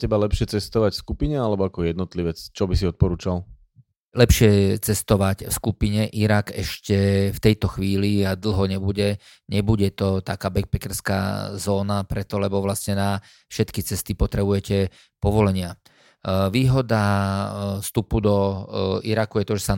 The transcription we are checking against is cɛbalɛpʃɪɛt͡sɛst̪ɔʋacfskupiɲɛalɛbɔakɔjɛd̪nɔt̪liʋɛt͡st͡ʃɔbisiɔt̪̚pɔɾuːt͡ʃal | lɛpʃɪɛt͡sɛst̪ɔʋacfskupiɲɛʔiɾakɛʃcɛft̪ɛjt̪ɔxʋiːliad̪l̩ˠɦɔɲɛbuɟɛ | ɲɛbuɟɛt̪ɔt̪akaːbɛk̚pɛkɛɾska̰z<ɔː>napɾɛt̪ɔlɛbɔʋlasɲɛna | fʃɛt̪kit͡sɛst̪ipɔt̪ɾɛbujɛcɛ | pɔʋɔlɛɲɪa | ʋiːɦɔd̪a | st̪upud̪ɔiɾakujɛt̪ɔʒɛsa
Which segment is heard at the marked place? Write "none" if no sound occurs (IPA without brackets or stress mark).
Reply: ɔː